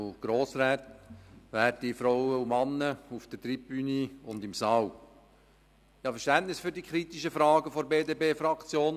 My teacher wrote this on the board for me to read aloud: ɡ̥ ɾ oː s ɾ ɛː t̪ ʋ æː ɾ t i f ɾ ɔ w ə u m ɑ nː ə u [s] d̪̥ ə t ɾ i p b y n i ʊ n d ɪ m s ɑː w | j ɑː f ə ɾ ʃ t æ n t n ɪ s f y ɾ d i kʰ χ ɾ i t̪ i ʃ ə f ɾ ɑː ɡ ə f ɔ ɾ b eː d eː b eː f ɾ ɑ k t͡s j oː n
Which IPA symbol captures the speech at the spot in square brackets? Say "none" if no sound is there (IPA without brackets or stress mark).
f